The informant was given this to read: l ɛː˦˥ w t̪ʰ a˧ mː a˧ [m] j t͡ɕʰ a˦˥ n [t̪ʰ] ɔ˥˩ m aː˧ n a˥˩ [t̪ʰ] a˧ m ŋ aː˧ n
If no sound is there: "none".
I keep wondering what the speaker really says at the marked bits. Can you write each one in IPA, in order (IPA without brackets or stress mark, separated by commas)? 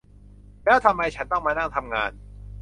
none, t̪, t̪ʰ